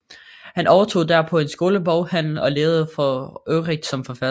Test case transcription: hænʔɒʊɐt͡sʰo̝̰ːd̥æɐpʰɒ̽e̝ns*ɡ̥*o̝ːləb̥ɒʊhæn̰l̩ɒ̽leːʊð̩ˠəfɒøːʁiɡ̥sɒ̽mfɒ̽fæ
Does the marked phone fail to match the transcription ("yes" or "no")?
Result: no